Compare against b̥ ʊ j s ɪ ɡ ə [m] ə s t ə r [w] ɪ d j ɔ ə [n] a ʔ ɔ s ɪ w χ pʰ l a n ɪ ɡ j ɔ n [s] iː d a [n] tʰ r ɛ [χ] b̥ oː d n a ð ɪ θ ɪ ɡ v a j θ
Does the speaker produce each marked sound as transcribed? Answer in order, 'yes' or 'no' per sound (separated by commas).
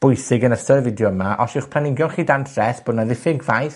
no, no, no, no, yes, no